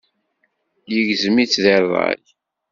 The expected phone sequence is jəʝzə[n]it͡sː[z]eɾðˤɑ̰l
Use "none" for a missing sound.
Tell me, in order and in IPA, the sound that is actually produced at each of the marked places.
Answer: m, ð

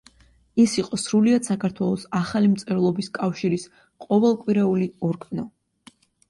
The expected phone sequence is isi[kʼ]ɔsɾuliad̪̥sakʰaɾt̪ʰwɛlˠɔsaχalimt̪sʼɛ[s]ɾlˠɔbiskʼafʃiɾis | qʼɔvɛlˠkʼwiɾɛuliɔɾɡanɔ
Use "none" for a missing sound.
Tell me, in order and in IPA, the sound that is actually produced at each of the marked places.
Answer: qʼ, none

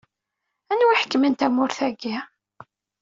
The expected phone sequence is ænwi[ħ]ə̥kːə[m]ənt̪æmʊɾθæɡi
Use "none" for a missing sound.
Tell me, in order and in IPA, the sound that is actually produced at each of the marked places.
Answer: ħ, m

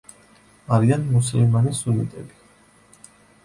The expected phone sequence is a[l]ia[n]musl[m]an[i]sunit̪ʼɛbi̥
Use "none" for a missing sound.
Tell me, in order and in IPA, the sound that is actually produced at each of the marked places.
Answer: ɾ, n, m, i

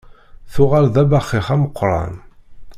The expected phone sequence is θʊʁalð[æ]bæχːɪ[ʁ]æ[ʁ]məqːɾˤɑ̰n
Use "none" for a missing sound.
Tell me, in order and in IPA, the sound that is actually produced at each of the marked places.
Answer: æ, χ, none

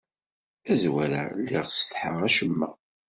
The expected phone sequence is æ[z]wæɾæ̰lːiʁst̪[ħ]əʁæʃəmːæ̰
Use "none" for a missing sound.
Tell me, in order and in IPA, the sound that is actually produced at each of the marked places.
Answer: z, ħ

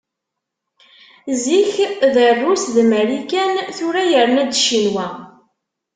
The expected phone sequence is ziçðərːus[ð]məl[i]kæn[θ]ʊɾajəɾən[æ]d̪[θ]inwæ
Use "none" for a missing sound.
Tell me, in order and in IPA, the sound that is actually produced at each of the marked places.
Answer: ð, i, θ, æ, ʃ

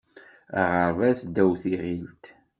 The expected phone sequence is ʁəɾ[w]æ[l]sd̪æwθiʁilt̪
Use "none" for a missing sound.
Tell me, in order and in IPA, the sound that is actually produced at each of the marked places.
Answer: v, none

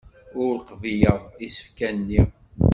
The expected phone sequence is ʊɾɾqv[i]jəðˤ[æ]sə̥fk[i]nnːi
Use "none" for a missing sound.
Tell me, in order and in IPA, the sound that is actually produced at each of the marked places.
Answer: i, i, æ

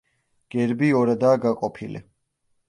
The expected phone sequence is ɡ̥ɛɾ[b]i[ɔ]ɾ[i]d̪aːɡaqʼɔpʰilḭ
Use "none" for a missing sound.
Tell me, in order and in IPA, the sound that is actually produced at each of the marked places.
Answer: b, ɔ, a

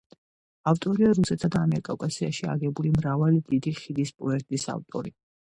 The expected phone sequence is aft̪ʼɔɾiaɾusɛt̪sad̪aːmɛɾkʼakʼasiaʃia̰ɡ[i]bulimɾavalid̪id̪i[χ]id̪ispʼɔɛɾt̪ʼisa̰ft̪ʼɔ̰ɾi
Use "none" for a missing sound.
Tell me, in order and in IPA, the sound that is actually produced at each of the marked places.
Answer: ɛ, χ

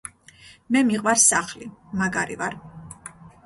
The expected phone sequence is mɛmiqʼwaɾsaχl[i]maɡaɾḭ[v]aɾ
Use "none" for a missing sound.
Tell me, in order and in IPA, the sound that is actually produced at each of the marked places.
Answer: i, v

